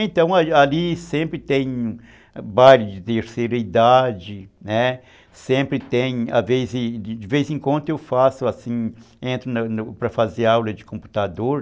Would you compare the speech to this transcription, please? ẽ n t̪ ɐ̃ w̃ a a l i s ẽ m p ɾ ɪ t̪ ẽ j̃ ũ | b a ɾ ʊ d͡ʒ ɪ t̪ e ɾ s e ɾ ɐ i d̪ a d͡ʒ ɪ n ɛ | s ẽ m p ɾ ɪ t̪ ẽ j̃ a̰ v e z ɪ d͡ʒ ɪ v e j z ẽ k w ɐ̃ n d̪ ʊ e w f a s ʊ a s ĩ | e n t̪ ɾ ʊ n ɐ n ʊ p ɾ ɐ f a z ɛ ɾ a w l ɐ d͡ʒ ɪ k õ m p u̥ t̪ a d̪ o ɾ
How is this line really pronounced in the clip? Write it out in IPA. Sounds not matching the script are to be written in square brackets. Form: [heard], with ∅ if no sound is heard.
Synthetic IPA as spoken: ẽ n t̪ ɐ̃ w̃ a a l i s ẽ m p ɾ ɪ t̪ ẽ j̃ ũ | b a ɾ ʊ d͡ʒ ɪ t̪ e ɾ s e ɾ ɐ i d̪ a d͡ʒ ɪ n ɛ | s ẽ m p ɾ ɪ t̪ ẽ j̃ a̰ v e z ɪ d͡ʒ ɪ v e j z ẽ k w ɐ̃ n d̪ ʊ e w f a s ʊ a s ĩ | [ẽ] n t̪ ɾ ʊ n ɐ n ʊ p ɾ ɐ f a z [e] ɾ a w l ɐ d͡ʒ ɪ k õ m p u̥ t̪ a d̪ o ɾ

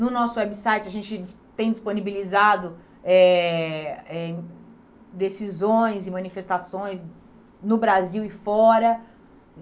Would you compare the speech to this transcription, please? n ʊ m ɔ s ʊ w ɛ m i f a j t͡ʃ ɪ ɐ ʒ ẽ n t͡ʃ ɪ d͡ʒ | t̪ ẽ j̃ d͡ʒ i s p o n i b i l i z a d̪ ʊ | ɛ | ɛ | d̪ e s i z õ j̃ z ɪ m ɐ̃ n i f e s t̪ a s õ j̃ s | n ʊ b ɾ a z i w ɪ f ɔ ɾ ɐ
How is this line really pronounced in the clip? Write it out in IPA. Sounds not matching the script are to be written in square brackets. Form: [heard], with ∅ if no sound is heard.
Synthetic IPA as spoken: n ʊ [n] ɔ s ʊ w ɛ [b] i [s] a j t͡ʃ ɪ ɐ ʒ ẽ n t͡ʃ ɪ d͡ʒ | t̪ ẽ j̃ d͡ʒ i s p o n i b i l i z a d̪ ʊ | ɛ | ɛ | d̪ e s i z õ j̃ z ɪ m ɐ̃ n i f e s t̪ a s õ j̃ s | n ʊ b ɾ a z i w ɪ f ɔ ɾ ɐ

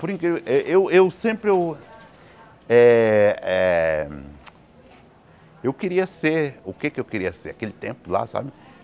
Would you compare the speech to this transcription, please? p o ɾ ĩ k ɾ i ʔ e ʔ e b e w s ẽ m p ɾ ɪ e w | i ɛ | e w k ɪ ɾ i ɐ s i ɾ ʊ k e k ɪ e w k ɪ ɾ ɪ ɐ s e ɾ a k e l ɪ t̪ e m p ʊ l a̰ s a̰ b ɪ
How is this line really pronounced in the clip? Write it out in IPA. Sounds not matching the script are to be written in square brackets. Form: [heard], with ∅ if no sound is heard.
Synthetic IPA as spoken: p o ɾ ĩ k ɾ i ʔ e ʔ e [w] e w s ẽ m p ɾ ɪ e w | [ɛ] ɛ | e w k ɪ ɾ i ɐ s [e] ɾ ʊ k e k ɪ e w k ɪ ɾ [i] ɐ s e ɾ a k e l ɪ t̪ [ẽ] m p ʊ l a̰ s a̰ b ɪ

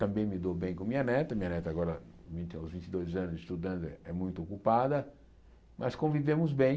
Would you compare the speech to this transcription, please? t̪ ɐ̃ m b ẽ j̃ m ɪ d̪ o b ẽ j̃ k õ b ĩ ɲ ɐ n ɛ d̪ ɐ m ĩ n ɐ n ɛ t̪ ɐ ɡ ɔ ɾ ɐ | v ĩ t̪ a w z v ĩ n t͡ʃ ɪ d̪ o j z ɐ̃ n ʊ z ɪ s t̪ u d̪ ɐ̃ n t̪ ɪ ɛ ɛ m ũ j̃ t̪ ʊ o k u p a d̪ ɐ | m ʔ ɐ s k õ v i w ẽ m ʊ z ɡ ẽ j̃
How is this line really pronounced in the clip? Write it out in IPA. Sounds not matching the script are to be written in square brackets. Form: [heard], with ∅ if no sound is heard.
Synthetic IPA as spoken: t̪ ɐ̃ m b ẽ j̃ m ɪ d̪ o b ẽ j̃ k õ [m] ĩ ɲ ɐ n ɛ [t̪] ɐ m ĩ [ɲ] ɐ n ɛ t̪ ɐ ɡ ɔ ɾ ɐ | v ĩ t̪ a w z v ĩ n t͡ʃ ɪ d̪ o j z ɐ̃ n ʊ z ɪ s t̪ u d̪ ɐ̃ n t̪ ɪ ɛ ɛ m ũ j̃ t̪ ʊ o k u p a d̪ ɐ | m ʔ ɐ s k õ v i [v] ẽ m ʊ z [b] ẽ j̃

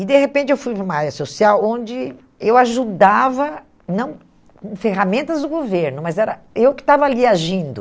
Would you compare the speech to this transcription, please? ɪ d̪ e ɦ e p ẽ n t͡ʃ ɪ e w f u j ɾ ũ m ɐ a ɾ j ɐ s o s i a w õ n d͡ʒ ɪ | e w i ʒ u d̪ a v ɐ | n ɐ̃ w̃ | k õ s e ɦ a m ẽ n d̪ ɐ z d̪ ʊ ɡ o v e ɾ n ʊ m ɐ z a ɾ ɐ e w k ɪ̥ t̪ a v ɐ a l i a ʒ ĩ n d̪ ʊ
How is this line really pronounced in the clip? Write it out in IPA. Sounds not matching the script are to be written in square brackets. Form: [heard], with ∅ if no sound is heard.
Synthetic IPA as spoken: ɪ d̪ e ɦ e p ẽ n t͡ʃ ɪ e w f u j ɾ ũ m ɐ a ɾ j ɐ s o s i a w õ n d͡ʒ ɪ | e w [a] ʒ u d̪ a v ɐ | n ɐ̃ w̃ | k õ [f] e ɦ a m ẽ n [t̪] ɐ z d̪ ʊ ɡ o v e ɾ n ʊ m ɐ z [ɛ] ɾ ɐ e w k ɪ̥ t̪ a v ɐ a l i a ʒ ĩ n d̪ ʊ

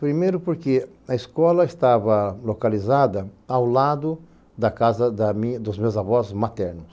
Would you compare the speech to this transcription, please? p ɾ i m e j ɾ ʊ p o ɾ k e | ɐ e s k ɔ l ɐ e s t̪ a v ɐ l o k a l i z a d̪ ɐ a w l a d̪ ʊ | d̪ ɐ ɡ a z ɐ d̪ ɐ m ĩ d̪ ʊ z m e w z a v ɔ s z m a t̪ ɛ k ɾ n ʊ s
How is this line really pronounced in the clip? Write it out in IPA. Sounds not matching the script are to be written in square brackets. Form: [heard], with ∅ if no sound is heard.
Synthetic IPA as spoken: p ɾ i m e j ɾ ʊ p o ɾ k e | ɐ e s k ɔ l ɐ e s t̪ a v ɐ l o k a l i z a d̪ ɐ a w l a d̪ ʊ | d̪ ɐ [k] a z ɐ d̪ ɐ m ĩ d̪ ʊ z m e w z a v ɔ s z m a t̪ ɛ [∅] ɾ n ʊ s

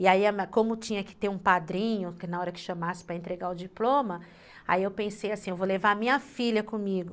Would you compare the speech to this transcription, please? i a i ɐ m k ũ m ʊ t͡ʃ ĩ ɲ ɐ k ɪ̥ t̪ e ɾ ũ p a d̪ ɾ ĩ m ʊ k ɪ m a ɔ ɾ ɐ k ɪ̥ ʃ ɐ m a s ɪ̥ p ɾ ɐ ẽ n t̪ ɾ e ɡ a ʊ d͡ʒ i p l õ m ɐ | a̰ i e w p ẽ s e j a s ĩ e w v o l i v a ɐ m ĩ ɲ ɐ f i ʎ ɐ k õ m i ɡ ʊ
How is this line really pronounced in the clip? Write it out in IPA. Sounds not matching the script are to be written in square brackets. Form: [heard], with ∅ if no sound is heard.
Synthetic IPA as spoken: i a i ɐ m k [õ] m ʊ t͡ʃ ĩ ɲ ɐ k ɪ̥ t̪ e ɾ ũ p a d̪ ɾ ĩ [ɲ] ʊ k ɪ [n] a ɔ ɾ ɐ k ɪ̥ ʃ ɐ m a s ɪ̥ p ɾ ɐ ẽ n t̪ ɾ e ɡ a ʊ d͡ʒ i p l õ m ɐ | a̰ i e w p ẽ s e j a s ĩ e w v o l [e] v a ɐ m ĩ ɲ ɐ f i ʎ ɐ k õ m i ɡ ʊ

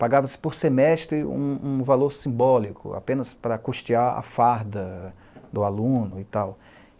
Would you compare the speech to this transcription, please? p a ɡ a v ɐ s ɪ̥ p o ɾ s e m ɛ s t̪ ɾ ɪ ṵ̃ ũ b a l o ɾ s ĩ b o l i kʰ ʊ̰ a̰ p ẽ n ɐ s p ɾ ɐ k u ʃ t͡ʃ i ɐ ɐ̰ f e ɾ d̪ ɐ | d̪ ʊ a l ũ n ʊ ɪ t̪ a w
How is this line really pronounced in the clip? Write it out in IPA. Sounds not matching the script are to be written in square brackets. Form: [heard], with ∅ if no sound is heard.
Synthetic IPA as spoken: p a ɡ a v ɐ s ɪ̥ p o ɾ s e m ɛ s t̪ ɾ ɪ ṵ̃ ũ [v] a l o ɾ s ĩ b [ɔ] l i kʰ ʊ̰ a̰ p ẽ n ɐ s p ɾ ɐ k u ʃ t͡ʃ i [a] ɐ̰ f [a] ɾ d̪ ɐ | d̪ ʊ a l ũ n ʊ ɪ t̪ a w

